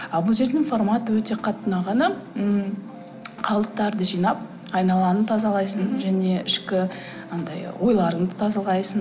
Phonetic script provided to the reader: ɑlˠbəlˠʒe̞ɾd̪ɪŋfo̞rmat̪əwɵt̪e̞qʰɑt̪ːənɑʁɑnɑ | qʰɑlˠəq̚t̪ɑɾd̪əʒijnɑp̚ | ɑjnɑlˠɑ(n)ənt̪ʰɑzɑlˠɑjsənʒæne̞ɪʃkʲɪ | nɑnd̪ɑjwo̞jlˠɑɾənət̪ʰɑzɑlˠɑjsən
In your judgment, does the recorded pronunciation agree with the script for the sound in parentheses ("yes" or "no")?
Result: yes